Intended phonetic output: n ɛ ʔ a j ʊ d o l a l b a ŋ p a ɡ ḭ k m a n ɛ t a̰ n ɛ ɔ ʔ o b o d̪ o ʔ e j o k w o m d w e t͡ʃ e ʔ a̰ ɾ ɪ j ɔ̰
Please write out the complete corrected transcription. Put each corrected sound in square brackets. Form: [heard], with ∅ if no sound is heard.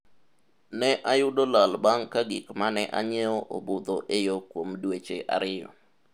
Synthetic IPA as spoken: n ɛ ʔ a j ʊ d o l a l b a ŋ [k] a ɡ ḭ k m a n ɛ [ʔ] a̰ [ɲ] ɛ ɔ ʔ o b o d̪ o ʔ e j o k w o m d w e t͡ʃ e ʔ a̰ ɾ ɪ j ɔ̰